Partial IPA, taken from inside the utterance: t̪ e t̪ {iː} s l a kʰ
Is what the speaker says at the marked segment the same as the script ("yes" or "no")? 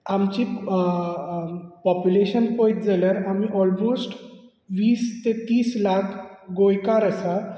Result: yes